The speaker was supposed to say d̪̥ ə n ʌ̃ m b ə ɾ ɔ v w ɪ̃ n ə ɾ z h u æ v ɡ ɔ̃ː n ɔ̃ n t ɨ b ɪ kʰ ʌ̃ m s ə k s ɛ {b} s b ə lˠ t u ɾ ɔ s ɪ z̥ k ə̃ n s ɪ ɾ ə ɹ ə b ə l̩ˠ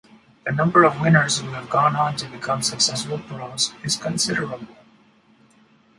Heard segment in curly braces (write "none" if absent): none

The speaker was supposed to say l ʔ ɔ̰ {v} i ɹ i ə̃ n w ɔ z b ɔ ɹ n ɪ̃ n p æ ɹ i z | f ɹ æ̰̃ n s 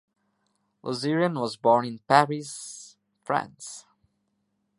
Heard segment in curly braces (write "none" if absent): z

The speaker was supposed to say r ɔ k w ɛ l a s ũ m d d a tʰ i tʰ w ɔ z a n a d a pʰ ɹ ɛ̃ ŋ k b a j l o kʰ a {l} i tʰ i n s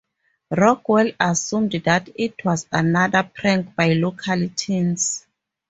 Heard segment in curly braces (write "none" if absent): l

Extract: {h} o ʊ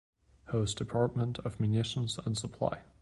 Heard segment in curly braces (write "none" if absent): h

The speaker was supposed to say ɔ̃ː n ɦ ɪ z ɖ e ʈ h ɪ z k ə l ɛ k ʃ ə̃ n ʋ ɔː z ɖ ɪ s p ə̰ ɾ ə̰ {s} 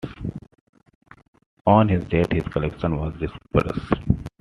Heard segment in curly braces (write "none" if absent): s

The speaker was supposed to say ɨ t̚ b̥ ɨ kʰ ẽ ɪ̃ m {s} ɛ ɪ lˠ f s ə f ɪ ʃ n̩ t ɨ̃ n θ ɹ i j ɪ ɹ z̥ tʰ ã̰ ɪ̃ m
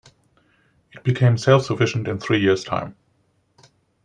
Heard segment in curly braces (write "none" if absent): s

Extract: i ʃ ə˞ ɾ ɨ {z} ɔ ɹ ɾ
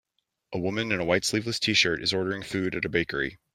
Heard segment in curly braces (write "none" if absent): z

